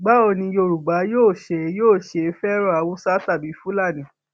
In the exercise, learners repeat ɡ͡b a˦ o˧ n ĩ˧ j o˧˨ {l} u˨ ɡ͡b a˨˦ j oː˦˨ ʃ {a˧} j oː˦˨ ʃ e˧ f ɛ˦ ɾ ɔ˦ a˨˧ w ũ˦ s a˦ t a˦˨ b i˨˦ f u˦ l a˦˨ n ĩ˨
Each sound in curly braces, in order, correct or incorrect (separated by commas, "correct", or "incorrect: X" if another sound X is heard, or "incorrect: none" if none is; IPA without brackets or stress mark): incorrect: ɾ, incorrect: e˧